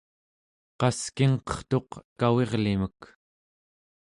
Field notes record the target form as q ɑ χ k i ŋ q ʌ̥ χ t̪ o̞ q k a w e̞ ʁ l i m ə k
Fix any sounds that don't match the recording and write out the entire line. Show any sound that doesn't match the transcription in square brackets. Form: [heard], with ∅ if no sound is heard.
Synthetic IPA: q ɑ [s] k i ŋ q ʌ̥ χ t̪ o̞ q k a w e̞ ʁ l i m ə k